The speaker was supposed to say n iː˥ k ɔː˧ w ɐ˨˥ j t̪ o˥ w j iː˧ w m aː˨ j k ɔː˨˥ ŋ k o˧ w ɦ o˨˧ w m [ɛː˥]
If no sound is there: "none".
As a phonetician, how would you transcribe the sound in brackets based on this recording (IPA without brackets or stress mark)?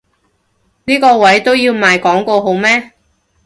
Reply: ɛː˥